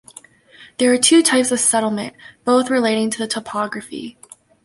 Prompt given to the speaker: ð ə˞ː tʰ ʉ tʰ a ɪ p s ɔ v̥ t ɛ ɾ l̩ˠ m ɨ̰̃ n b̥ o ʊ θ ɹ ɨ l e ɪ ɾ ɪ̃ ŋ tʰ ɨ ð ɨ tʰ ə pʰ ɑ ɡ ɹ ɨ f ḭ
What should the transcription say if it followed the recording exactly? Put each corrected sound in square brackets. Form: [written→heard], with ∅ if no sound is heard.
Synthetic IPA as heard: ð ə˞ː tʰ ʉ tʰ a ɪ p s [ɔ→ʌ] v̥ [t→s] ɛ ɾ l̩ˠ m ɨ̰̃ n b̥ o ʊ θ ɹ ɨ l e ɪ ɾ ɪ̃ ŋ tʰ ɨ ð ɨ tʰ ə pʰ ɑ ɡ ɹ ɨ f ḭ